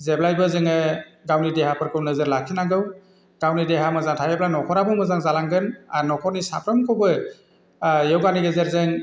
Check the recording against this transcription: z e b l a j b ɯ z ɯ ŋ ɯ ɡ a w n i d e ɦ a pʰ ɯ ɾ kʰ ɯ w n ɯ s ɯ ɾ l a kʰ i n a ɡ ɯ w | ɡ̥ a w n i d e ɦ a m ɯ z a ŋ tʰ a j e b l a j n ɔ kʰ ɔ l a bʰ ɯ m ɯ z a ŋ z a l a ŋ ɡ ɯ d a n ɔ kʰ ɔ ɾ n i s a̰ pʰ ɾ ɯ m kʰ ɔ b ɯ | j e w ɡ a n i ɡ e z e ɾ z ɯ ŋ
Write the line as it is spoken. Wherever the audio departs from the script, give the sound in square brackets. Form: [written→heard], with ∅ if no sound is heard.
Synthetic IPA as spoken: z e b l a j b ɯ z ɯ ŋ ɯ ɡ a w n i d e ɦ a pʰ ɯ ɾ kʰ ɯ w n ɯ [s→z] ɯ ɾ l a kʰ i n a ɡ ɯ w | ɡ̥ a w n i d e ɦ a m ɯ z a ŋ tʰ a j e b l a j n ɔ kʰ ɔ [l→ɾ] a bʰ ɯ m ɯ z a ŋ z a l a ŋ ɡ ɯ [d→n] a n ɔ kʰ ɔ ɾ n i s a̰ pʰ ɾ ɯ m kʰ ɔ b ɯ | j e w ɡ a n i ɡ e z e ɾ z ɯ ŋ